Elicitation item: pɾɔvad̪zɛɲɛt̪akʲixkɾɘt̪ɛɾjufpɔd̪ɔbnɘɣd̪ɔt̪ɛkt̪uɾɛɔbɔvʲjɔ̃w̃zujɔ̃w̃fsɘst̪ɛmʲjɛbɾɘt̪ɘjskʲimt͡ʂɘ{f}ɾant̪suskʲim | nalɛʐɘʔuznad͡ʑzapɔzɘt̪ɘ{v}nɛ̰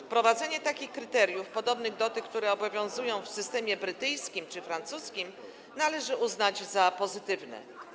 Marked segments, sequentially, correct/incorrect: correct, correct

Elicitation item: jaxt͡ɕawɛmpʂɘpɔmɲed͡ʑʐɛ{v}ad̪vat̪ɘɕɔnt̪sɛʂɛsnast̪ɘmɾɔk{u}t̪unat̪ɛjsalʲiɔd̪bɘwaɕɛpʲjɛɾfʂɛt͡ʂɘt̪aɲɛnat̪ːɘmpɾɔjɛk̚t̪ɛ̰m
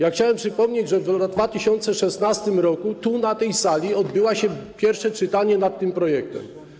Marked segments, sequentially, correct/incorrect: correct, correct

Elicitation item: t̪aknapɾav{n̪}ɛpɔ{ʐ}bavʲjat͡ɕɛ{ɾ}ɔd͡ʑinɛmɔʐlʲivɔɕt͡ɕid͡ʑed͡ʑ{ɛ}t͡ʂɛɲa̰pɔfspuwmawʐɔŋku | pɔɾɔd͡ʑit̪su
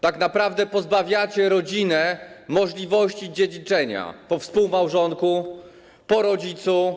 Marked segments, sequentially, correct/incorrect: incorrect: d̪, incorrect: z, correct, incorrect: i

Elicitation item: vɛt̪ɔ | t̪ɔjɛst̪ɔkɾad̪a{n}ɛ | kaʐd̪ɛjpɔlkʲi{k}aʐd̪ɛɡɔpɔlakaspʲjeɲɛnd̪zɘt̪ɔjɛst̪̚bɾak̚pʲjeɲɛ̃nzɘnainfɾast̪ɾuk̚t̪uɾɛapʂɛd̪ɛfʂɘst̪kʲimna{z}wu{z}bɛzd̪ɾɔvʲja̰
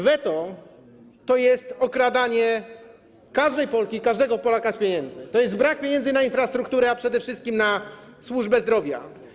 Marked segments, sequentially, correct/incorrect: incorrect: ɲ, correct, incorrect: s, incorrect: ʐ

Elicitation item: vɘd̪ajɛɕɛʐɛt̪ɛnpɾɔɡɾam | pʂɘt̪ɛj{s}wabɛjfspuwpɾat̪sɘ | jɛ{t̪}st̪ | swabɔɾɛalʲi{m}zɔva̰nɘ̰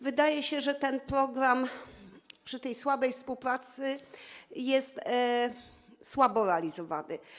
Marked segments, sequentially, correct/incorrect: correct, incorrect: none, incorrect: none

